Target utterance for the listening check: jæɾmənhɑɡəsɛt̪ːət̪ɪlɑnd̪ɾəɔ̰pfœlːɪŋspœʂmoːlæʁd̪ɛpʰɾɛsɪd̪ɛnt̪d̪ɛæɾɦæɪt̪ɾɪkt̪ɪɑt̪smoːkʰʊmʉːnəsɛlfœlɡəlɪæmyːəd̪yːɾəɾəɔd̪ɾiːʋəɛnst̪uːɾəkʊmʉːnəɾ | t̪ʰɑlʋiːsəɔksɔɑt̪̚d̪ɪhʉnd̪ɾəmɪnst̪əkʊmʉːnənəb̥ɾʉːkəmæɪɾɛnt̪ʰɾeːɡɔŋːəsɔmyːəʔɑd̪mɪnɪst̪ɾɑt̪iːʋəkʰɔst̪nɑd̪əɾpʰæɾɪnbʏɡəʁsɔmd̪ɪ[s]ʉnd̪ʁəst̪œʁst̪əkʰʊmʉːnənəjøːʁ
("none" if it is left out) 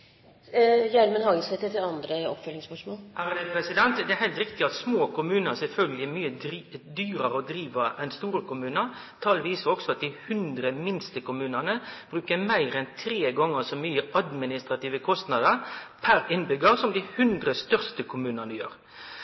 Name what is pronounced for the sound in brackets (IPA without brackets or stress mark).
h